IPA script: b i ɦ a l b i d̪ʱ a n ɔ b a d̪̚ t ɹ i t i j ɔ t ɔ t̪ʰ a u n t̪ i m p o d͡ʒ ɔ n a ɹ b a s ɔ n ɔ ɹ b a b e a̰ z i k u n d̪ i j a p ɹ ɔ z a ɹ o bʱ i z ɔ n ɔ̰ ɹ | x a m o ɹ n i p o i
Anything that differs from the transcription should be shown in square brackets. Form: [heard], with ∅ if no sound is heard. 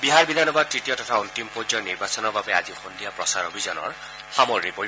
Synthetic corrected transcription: b i ɦ a [ɹ] b i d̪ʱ a n ɔ b a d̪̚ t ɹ i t i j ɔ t ɔ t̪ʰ a u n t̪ i m p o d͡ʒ ɔ n [i] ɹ b a s ɔ n ɔ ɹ b a b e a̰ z i [x] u n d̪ i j a p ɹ ɔ [s] a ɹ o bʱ i z ɔ n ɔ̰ ɹ | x a m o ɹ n i p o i